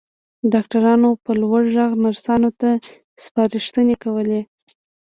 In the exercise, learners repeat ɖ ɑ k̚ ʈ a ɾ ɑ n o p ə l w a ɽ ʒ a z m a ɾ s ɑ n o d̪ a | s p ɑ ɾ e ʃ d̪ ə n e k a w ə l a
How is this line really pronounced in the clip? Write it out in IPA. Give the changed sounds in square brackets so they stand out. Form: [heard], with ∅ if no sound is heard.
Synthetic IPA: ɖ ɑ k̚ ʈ a ɾ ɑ n o p ə l w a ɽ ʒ a [ɣ] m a ɾ s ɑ n o [t̪] a | s p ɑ ɾ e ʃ [t̪] ə n e k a w ə l [e]